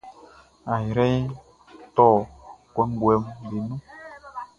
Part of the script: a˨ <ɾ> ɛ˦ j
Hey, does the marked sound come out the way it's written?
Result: yes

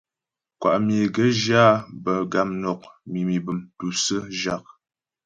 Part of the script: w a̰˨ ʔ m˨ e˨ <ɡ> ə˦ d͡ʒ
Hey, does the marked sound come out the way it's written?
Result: yes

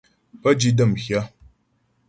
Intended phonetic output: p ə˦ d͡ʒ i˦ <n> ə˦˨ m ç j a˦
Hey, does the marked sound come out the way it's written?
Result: no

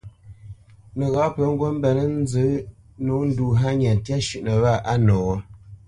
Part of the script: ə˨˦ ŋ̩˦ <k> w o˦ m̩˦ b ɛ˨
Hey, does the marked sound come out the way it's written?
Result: no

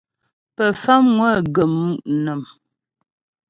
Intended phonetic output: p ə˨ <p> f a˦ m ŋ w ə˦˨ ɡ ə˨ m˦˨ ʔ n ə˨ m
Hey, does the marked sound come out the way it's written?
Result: no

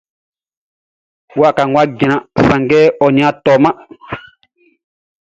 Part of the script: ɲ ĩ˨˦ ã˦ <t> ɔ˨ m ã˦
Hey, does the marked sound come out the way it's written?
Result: yes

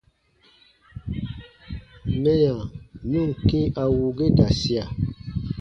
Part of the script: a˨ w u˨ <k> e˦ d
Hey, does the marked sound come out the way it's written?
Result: no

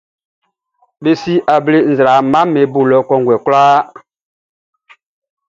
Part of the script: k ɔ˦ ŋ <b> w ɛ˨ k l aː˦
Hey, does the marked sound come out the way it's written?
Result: no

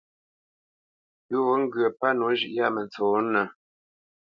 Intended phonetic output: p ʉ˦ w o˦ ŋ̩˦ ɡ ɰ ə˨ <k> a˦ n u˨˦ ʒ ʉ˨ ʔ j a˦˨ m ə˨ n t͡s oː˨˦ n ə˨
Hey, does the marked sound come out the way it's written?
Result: no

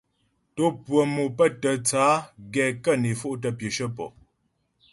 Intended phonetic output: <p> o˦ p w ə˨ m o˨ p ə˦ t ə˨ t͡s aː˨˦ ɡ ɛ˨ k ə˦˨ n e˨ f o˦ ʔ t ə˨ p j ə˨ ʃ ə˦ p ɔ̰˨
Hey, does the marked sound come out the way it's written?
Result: no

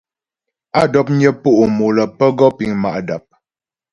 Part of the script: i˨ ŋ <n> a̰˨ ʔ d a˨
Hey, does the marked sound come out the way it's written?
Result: no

